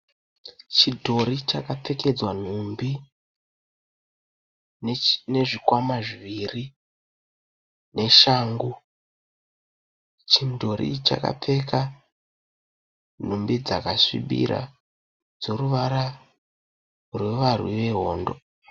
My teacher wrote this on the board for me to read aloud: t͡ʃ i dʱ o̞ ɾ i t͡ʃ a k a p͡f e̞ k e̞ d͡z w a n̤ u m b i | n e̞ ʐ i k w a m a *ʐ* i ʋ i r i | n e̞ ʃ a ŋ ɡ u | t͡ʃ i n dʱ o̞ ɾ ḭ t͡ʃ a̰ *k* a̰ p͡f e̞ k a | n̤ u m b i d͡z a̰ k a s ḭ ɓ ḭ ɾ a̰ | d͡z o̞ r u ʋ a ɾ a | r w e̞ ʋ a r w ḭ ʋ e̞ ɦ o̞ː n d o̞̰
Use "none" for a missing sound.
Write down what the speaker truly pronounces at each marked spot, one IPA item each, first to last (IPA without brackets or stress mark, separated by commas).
ʐ, k